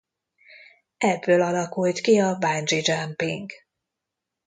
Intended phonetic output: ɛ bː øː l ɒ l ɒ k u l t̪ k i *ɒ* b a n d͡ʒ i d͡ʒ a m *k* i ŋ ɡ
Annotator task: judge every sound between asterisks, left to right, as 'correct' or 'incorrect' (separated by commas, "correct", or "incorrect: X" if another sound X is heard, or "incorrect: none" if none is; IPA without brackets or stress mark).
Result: correct, incorrect: p